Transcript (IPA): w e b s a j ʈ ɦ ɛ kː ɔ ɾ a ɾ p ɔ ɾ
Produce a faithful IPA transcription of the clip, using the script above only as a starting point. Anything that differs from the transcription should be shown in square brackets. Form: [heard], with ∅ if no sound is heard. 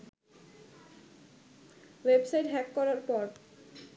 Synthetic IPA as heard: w e b s a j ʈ ɦ ɛ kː ɔ ɾ a ɾ p ɔ ɾ